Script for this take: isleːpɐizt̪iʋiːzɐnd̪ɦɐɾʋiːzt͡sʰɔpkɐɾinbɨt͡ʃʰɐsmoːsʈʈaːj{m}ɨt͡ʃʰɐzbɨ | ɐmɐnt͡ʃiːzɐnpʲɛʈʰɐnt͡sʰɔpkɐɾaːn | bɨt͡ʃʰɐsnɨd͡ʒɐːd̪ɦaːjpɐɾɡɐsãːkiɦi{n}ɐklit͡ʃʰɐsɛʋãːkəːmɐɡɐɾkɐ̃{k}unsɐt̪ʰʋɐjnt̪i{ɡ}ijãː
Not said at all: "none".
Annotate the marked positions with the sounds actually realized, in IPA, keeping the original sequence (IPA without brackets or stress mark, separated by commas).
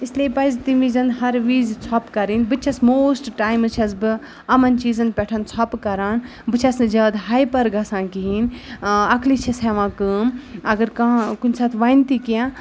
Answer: m, n, k, k